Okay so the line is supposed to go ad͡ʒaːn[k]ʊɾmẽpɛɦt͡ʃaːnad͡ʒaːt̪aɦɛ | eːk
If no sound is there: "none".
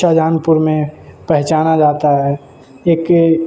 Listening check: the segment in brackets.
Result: p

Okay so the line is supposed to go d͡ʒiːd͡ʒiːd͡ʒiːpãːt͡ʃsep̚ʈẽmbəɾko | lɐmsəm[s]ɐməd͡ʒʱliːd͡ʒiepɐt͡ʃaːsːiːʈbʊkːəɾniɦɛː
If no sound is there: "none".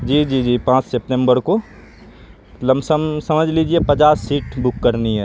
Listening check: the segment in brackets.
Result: s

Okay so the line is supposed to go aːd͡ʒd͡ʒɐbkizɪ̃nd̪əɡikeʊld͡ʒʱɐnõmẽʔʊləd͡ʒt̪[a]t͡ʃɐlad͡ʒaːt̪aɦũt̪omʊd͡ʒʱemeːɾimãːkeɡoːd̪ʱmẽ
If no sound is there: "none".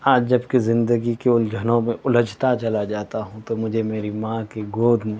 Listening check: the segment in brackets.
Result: a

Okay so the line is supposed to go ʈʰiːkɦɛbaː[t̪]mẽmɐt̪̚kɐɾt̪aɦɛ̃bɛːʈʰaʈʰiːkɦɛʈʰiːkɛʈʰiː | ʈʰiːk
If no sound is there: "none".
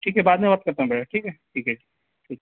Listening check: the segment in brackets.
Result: d̪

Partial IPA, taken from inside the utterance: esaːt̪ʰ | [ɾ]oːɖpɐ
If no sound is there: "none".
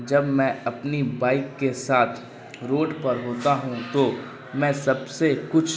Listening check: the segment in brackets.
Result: ɾ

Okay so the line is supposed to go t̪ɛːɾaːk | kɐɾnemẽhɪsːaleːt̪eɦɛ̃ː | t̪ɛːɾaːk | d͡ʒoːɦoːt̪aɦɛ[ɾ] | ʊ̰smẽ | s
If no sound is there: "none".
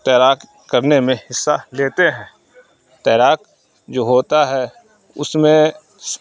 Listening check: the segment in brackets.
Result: none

